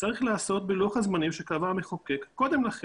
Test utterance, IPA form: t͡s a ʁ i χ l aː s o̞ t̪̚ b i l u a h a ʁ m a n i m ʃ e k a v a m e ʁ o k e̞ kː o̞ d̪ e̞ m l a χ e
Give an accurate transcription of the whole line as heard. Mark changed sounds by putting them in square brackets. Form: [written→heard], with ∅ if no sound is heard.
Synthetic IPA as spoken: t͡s a ʁ i χ l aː s o̞ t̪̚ b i l u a [h→χ] a [ʁ→z] m a n i m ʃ e k a v a m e [ʁ→χ] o k e̞ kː o̞ d̪ e̞ m l a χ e